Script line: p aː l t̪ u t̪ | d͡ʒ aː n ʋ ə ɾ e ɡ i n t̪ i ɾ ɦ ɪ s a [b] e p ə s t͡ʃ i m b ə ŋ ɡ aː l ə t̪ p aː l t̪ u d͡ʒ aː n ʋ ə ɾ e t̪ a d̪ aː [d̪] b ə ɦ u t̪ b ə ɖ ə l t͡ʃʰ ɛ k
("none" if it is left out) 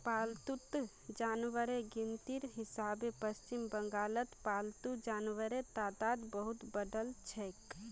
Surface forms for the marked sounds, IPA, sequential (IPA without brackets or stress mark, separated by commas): b, d̪